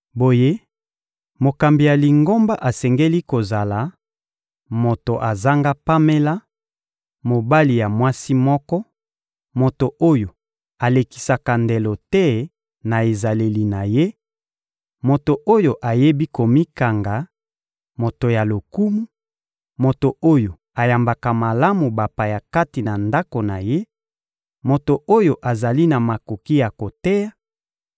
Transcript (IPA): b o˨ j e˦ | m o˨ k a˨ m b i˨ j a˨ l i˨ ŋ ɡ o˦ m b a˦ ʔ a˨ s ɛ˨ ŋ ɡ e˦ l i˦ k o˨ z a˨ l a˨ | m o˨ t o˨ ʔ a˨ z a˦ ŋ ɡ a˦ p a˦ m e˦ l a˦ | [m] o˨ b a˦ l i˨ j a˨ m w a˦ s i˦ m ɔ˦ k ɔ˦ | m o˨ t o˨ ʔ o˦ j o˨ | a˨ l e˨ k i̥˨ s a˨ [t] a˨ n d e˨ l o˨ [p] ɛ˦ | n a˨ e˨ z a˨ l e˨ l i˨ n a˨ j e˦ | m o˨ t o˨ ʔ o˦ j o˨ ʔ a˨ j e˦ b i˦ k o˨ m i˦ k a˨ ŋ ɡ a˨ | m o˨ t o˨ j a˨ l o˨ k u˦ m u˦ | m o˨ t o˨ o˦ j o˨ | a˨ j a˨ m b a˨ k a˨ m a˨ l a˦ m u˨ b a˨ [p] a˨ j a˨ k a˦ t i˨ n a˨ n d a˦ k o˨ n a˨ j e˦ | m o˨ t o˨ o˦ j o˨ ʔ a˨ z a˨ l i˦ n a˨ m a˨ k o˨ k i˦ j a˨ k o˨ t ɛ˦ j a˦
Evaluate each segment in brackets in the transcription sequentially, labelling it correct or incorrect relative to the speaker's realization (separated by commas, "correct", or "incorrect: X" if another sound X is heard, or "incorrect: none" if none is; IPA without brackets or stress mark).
correct, incorrect: k, incorrect: t, correct